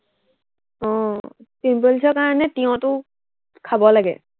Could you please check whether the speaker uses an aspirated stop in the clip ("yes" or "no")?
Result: yes